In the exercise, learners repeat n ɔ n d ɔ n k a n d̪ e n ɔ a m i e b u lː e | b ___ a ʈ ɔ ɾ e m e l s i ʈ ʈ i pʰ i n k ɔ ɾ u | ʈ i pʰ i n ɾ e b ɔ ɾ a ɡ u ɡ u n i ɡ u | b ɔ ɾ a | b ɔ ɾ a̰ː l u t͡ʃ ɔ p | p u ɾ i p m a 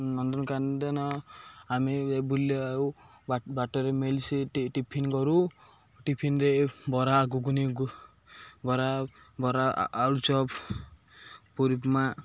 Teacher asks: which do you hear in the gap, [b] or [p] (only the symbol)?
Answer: b